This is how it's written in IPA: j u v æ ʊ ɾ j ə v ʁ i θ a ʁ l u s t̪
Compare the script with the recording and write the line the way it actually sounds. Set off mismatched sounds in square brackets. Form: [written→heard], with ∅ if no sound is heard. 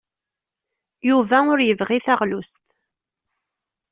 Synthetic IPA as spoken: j u v æ ʊ ɾ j ə v ʁ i θ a ʁ l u s t̪